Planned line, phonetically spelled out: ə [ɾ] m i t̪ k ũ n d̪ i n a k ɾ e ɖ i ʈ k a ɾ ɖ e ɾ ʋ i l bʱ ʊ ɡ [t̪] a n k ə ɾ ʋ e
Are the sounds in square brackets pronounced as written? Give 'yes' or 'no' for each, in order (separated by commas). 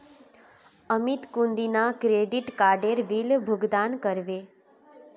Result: no, no